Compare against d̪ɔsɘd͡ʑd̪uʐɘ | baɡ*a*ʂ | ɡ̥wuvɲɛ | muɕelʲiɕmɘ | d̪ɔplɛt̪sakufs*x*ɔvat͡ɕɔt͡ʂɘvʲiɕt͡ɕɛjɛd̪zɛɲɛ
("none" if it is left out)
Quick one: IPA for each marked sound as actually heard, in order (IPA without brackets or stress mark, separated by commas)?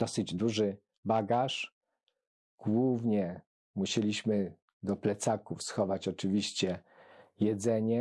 a, x